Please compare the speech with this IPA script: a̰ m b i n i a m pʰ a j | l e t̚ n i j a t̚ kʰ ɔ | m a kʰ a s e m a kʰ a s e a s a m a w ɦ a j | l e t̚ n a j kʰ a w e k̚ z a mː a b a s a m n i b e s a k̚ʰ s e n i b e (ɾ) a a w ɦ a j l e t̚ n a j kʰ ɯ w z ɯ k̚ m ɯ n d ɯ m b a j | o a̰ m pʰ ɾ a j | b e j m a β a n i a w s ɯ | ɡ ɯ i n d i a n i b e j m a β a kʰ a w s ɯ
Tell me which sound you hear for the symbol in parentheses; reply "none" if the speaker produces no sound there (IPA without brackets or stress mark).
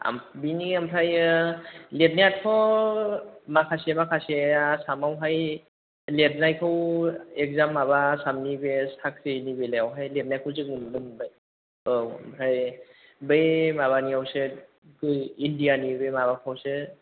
l